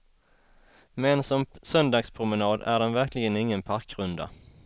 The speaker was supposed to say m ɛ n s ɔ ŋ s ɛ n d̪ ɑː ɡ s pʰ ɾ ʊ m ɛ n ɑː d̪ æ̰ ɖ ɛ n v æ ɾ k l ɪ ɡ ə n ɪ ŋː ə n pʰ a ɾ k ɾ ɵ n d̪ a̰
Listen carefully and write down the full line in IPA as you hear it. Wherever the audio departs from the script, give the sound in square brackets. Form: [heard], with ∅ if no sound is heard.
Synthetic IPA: m ɛ n s ɔ [m] s [œ] n d̪ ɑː ɡ s pʰ ɾ ʊ m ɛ n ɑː d̪ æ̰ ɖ ɛ n v æ ɾ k l ɪ ɡ ə n ɪ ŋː ə n pʰ a ɾ k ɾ ɵ n d̪ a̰